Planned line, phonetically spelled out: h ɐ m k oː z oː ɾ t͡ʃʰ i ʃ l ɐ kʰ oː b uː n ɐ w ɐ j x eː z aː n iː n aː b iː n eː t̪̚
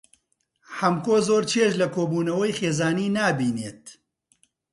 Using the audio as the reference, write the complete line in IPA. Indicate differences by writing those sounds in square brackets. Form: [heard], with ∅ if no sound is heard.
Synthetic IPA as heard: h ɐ m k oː z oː ɾ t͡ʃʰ [e] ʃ l ɐ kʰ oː b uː n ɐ w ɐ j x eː z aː n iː n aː b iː n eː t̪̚